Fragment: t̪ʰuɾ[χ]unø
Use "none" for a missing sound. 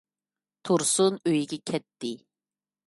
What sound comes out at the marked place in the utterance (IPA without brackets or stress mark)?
s